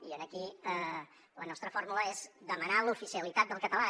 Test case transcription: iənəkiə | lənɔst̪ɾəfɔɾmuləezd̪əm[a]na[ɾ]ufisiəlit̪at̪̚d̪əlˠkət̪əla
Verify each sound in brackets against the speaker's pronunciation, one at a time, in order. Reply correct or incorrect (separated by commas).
incorrect, incorrect